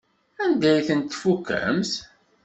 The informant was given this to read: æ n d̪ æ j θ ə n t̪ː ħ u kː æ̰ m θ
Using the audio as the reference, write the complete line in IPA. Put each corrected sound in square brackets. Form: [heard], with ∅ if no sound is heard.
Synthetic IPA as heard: æ n d̪ æ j θ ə n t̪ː [f] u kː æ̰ m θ